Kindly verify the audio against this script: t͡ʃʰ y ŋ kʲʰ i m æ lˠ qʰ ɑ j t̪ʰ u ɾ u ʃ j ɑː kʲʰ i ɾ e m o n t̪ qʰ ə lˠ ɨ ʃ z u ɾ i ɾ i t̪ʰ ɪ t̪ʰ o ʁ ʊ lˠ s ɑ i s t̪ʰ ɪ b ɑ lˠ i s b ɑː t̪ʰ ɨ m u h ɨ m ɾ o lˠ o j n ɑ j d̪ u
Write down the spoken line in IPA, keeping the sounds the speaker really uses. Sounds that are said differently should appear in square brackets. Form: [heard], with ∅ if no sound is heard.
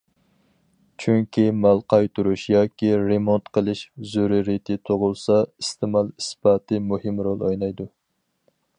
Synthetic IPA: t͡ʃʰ y ŋ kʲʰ i m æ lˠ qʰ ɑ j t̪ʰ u ɾ u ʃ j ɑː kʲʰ i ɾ e m o n t̪ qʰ ə lˠ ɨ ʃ z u ɾ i ɾ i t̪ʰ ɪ t̪ʰ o ʁ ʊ lˠ s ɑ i s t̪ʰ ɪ [m] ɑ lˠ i s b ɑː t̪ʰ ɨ m u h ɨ m ɾ o lˠ o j n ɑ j d̪ u